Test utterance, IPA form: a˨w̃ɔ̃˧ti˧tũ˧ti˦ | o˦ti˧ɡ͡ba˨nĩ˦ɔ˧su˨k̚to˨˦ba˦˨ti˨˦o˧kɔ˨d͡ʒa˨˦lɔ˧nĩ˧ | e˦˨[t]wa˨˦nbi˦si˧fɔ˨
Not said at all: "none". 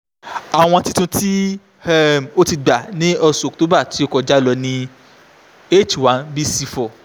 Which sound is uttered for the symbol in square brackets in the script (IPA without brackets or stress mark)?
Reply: t͡ʃ